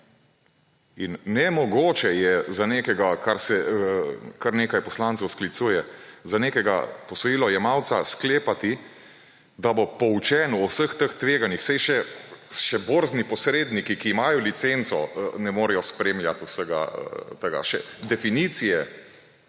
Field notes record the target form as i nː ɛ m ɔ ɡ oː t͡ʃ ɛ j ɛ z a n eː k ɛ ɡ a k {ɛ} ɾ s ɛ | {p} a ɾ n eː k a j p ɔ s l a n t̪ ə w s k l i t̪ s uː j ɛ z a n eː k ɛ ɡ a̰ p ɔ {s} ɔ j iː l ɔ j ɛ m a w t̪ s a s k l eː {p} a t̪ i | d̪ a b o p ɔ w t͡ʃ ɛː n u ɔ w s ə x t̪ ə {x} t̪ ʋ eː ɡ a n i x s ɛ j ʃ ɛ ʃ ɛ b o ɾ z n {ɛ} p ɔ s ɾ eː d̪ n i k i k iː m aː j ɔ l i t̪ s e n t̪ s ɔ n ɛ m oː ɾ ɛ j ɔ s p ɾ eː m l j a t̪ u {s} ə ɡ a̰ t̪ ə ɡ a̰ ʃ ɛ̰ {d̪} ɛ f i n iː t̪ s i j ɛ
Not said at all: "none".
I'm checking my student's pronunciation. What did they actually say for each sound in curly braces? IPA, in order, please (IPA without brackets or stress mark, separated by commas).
a, k, s, p, x, i, s, d̪